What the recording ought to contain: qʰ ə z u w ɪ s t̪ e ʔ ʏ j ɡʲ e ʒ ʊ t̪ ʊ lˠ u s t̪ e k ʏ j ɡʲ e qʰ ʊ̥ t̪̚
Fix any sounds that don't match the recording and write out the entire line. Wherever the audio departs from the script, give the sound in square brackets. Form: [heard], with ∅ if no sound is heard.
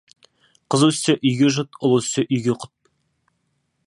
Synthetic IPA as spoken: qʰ ə z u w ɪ s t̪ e ʔ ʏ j ɡʲ e ʒ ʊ t̪ ʊ lˠ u s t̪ e [ʔ] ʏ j ɡʲ e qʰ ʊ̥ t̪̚